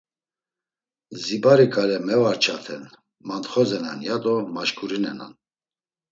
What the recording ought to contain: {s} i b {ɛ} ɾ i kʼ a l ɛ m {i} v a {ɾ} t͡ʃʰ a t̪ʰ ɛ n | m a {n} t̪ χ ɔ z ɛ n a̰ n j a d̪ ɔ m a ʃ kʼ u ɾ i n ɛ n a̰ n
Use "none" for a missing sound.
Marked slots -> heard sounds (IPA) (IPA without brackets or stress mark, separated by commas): z, a, ɛ, ɾ, n